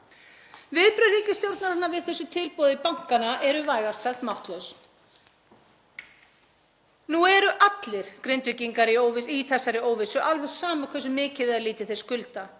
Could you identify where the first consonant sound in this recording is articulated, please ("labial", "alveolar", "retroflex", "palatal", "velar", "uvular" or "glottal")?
labial